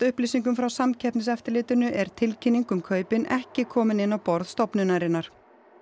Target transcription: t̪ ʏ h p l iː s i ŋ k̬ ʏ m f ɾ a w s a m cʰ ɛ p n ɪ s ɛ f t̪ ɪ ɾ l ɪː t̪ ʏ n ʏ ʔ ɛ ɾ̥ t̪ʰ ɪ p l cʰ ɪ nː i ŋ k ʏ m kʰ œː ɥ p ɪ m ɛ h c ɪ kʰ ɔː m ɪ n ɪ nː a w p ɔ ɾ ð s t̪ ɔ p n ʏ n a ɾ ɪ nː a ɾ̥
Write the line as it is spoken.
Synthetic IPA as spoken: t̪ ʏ h p l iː s i ŋ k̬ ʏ m f ɾ a w s a m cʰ ɛ p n ɪ s ɛ f t̪ ɪ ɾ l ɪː t̪ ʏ n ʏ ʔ ɛ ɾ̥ t̪ʰ ɪ l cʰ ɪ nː i ŋ k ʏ m kʰ œː ɥ p ɪ n ɛ h c ɪ kʰ ɔː m ɪ n ɪ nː a w p ɔ ɾ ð s t̪ ɔ p n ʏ n a ɾ ɪ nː a ɾ̥